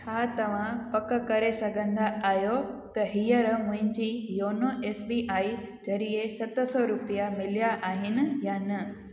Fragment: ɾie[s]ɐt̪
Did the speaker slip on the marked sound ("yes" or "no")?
no